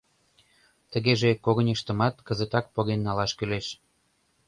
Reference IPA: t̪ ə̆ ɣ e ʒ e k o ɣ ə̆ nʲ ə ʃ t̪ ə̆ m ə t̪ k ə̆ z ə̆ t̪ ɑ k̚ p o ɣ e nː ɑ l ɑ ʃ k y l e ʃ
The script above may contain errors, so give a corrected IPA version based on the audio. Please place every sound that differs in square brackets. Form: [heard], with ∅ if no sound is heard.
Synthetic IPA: t̪ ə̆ ɣ e ʒ e k o ɣ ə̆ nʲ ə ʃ t̪ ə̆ m [ɑ] t̪ k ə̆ z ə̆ t̪ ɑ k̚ p o ɣ e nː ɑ l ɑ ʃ k y l e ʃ